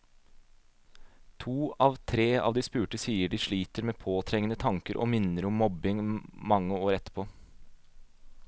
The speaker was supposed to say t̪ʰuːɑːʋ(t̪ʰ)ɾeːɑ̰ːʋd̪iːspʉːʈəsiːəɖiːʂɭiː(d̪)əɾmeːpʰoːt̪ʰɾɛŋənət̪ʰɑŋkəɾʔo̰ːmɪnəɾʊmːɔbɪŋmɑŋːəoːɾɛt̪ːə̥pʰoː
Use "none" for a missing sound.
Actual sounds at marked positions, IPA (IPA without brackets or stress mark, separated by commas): t̪ʰ, t̪